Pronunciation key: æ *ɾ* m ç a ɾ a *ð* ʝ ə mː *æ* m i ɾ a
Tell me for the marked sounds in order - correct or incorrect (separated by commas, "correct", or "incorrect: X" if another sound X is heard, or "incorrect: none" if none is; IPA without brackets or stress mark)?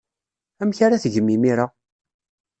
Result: incorrect: none, incorrect: θ, incorrect: i